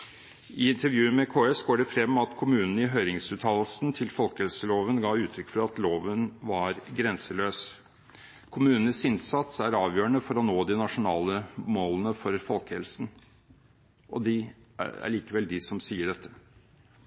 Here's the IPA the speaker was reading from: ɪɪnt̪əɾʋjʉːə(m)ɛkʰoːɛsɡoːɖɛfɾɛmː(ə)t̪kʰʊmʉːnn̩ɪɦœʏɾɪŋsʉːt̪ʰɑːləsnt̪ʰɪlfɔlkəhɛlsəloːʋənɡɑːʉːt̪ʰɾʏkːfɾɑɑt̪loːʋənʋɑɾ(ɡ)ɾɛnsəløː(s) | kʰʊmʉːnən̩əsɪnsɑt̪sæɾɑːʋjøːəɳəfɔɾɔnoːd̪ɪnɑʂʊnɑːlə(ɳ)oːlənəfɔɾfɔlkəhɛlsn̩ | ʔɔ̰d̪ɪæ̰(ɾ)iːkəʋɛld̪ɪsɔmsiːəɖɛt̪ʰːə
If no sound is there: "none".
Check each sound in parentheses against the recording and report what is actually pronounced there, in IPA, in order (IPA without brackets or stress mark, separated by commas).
m, ɑ, ɡ, s, m, ɭ